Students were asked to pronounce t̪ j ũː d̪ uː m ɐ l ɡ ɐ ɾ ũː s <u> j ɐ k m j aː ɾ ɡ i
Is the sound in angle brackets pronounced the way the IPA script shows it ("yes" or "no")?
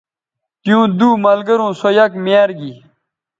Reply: no